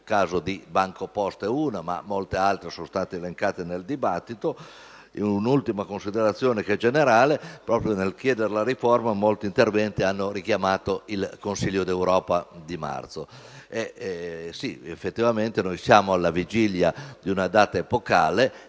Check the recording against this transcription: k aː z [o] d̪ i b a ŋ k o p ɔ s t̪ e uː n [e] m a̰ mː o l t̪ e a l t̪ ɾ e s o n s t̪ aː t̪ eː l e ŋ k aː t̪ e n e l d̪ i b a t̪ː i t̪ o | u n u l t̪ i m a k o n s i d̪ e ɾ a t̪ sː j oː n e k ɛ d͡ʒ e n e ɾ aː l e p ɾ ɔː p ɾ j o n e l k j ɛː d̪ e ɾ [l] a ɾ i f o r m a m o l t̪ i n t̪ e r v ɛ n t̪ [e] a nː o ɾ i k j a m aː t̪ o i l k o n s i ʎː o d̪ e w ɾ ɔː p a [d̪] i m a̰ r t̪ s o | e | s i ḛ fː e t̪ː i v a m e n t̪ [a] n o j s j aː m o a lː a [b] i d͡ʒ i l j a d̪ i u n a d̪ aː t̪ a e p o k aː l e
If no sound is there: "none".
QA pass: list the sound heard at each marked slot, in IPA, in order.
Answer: o, a, l, i, d̪, e, v

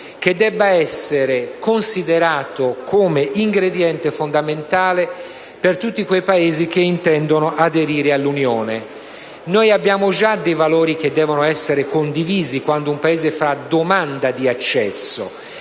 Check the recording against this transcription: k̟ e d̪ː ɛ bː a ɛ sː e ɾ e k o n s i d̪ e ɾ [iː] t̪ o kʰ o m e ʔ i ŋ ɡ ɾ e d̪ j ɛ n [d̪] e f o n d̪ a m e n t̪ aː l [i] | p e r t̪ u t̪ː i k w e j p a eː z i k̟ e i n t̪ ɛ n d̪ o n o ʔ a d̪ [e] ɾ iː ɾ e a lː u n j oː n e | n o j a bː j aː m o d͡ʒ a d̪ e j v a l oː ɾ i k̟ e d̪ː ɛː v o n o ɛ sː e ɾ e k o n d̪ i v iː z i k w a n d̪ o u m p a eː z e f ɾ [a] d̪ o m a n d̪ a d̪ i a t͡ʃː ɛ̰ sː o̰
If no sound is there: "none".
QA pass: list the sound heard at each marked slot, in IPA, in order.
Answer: aː, t̪, e, e, a

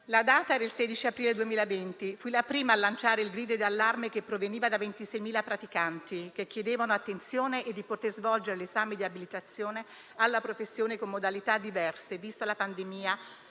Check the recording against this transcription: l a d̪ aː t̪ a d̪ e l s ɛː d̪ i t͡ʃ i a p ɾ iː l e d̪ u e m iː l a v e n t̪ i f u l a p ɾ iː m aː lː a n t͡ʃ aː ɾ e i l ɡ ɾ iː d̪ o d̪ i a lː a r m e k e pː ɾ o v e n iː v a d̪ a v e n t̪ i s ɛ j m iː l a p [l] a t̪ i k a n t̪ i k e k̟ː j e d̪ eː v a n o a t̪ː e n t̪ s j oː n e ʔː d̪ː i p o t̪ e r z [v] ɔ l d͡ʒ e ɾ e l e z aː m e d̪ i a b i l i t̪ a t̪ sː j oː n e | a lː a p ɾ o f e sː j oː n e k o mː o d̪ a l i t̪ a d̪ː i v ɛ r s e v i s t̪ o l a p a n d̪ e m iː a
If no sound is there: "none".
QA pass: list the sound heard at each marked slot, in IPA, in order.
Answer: ɾ, v

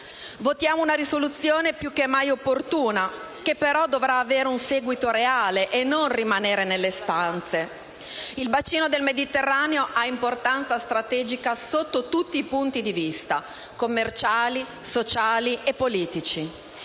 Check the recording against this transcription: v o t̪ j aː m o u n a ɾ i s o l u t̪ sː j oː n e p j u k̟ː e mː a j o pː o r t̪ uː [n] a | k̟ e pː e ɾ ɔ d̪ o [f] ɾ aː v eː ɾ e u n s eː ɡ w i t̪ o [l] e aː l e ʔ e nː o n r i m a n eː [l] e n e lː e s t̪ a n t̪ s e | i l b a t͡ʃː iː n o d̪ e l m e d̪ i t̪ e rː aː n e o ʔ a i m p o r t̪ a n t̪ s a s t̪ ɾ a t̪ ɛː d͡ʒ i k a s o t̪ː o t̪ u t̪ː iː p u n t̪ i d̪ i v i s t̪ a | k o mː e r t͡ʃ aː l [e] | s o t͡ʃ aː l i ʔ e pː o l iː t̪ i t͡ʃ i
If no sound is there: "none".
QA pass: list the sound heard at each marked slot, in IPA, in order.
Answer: n, v, ɾ, ɾ, i

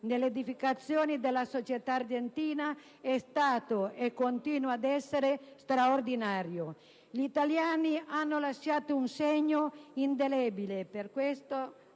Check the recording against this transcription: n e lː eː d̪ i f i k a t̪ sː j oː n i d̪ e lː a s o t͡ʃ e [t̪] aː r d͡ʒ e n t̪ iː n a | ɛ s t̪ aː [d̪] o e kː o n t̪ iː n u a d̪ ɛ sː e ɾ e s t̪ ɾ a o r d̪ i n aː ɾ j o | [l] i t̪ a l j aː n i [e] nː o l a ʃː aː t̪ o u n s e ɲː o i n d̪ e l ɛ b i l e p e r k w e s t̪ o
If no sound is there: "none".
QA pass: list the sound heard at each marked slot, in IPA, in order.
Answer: t̪, t̪, ʎ, a

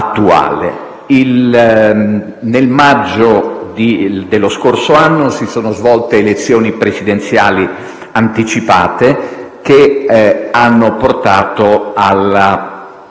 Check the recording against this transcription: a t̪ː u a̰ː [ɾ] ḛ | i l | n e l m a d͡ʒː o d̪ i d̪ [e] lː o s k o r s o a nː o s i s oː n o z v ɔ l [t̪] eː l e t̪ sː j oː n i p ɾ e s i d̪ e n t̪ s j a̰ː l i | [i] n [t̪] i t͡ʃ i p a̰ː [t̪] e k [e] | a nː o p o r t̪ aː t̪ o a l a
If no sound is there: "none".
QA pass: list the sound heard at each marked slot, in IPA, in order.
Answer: l, e, t̪, a, t̪, t̪, e

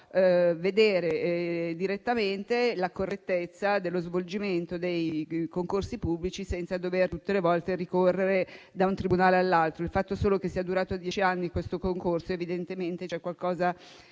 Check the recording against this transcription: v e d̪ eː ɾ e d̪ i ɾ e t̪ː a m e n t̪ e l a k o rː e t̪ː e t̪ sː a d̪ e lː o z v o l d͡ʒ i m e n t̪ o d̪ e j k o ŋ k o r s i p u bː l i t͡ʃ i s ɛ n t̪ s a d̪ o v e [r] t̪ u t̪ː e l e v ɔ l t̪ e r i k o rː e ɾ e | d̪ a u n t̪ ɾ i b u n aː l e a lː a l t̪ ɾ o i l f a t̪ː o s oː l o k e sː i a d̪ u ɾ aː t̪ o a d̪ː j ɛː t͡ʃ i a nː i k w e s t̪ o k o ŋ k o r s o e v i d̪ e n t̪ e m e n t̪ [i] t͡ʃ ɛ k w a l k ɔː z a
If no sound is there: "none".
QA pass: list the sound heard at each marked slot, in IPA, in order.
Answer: r, e

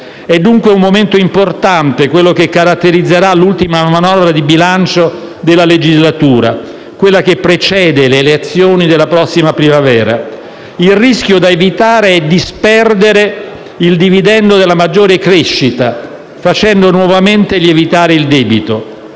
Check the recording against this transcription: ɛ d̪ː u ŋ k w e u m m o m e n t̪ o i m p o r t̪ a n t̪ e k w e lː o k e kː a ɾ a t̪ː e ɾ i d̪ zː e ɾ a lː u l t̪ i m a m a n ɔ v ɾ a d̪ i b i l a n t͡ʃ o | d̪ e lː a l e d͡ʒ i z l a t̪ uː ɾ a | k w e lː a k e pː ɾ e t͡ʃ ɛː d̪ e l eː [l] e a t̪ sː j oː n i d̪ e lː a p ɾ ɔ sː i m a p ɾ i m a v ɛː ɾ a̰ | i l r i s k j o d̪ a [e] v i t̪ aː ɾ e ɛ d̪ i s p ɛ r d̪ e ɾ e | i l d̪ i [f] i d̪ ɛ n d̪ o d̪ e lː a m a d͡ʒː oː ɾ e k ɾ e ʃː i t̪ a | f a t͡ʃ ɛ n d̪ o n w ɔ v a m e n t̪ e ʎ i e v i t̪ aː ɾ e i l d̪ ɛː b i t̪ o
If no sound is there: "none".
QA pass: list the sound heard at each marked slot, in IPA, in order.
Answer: l, e, v

